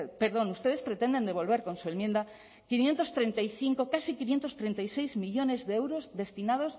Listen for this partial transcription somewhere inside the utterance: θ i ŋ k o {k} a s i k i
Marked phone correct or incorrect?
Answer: correct